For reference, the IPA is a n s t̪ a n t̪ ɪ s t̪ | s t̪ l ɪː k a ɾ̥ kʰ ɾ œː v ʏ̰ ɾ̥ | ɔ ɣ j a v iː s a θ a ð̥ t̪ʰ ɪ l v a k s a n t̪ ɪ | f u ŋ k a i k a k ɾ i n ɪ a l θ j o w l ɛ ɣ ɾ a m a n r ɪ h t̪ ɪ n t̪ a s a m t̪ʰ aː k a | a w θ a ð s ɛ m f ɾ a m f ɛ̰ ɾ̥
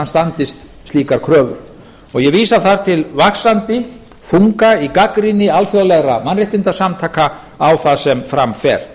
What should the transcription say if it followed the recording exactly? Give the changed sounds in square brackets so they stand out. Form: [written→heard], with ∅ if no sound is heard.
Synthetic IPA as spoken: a n s t̪ a n t̪ ɪ s t̪ | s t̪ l [ɪː→iː] k a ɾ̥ kʰ ɾ œː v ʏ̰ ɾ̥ | ɔ ɣ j [a→ɛ] v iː s a θ a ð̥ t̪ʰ ɪ l v a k s a n t̪ ɪ | f u ŋ k a i k a k ɾ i n ɪ a l [θ→f] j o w l ɛ ɣ ɾ a m a n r ɪ h t̪ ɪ n t̪ a s a m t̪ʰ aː k a | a w θ a ð s ɛ m f ɾ a m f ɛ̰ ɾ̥